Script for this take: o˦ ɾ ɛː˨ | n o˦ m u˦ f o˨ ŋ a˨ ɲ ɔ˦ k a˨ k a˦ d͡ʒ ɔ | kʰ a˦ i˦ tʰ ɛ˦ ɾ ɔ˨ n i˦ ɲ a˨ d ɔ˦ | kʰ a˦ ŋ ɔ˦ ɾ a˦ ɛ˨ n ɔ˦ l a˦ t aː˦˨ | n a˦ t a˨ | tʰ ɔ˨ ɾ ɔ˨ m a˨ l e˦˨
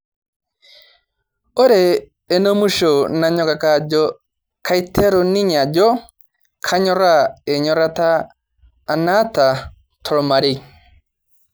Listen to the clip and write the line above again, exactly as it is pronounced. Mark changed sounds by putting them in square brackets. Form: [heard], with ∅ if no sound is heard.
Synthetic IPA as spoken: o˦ ɾ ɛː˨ | n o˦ m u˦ [ʃ] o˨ [n] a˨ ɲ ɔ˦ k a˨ k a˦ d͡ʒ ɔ | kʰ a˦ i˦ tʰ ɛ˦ ɾ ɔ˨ n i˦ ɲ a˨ [d͡ʒ] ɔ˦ | kʰ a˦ [ɲ] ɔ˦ ɾ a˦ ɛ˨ [ɲ] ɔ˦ [ɾ] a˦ t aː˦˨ | n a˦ t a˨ | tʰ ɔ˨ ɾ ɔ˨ m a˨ [ɾ] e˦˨